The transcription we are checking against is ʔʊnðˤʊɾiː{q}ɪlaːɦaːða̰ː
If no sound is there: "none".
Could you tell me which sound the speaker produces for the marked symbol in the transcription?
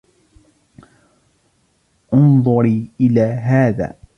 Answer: ʔ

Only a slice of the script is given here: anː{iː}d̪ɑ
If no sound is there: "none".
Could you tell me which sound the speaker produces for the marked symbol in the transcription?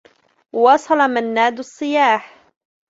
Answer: aː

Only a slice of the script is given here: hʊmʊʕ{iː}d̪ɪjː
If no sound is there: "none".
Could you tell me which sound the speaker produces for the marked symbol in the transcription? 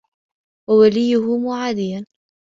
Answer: aː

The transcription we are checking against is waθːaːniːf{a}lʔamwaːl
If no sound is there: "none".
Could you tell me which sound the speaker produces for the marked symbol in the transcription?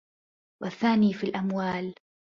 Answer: i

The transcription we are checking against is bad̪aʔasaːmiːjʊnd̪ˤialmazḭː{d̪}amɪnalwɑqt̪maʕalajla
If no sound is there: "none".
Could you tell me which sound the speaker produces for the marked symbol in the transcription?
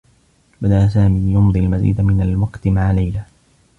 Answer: d̪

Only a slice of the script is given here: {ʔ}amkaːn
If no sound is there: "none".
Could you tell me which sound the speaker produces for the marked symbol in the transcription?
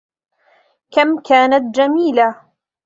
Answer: k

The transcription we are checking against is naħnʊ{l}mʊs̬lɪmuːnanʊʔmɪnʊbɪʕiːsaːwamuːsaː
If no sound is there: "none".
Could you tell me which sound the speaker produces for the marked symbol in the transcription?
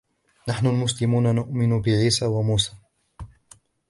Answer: l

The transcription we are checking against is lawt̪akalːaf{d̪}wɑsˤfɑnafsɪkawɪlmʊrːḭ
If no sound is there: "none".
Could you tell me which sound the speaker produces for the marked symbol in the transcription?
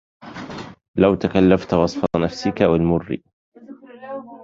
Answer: t̪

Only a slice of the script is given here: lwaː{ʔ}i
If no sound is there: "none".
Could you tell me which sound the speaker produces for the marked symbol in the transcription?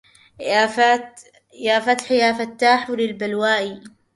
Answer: ʔ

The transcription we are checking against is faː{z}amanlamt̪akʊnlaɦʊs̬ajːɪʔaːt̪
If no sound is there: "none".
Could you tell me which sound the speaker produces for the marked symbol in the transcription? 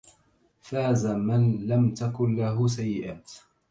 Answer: z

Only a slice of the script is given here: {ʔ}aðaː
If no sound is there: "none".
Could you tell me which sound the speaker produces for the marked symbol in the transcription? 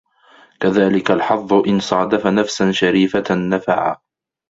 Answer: k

